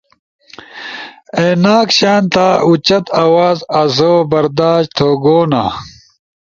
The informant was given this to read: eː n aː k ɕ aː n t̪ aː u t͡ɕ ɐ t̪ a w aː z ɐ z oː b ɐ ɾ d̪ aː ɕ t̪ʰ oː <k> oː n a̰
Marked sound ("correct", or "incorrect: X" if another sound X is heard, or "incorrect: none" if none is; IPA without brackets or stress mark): incorrect: ɡ